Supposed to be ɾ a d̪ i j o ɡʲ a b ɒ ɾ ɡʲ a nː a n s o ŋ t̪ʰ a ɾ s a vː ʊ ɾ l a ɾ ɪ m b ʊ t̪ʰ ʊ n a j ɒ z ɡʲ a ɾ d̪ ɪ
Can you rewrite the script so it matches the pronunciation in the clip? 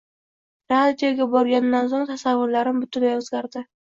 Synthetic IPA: ɾ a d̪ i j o ɡʲ a b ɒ ɾ ɡʲ a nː a n s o ŋ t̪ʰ a s a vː ʊ ɾ l a ɾ ɪ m b ʊ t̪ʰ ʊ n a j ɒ z ɡʲ a ɾ d̪ ɪ